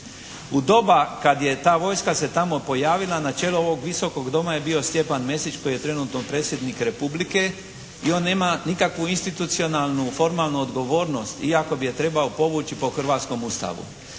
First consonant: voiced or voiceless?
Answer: voiced